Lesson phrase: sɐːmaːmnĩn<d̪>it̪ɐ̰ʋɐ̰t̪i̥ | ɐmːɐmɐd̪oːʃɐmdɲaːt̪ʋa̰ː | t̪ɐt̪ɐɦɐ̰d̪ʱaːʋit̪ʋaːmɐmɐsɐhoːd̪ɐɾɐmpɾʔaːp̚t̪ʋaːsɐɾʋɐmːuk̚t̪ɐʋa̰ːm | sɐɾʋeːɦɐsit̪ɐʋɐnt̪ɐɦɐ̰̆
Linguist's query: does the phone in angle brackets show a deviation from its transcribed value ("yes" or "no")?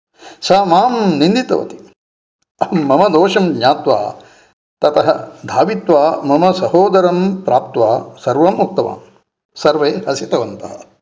no